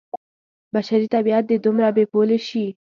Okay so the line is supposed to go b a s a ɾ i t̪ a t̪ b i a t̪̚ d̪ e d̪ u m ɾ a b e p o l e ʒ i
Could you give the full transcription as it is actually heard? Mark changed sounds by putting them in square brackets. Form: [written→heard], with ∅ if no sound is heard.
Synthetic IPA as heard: b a [s→ʃ] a ɾ i t̪ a [t̪→∅] b i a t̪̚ d̪ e d̪ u m ɾ a b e p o l e [ʒ→ʃ] i